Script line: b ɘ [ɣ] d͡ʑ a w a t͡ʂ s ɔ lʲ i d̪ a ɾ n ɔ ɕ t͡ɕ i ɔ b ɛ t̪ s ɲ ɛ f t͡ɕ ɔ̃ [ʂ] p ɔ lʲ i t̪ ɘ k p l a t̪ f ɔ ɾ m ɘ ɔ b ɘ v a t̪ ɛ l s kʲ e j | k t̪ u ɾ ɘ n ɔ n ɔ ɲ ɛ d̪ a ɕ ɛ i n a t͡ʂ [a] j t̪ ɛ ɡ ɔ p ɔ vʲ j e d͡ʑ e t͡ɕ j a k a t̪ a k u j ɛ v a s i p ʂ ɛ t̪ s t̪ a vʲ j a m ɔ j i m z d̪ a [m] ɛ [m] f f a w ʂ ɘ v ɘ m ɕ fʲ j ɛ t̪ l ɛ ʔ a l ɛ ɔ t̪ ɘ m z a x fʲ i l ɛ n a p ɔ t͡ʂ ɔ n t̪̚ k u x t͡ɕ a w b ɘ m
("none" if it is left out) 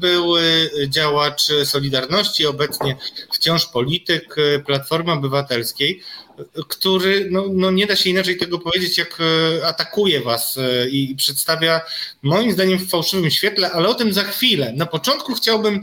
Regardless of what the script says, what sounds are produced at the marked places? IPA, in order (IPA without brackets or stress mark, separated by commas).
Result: w, ʂ, ɛ, ɲ, m